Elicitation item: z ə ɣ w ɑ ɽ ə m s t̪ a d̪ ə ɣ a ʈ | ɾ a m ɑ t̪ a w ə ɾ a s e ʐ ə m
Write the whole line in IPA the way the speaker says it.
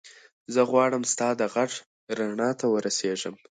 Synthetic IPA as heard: z ə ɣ w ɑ ɽ ə m s t̪ ɑ d̪ ə ɣ a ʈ | ɾ a ɳ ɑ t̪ a w ə ɾ a s e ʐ ə m